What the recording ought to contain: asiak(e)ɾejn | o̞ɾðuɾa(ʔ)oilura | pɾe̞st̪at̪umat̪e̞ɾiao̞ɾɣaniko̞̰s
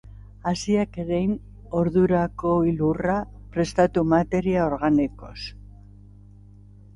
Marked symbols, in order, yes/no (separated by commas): yes, no